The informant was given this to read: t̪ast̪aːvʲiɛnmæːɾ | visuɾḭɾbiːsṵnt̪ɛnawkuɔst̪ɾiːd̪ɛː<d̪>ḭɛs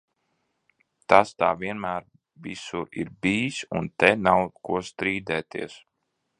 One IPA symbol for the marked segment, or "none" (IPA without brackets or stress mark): t̪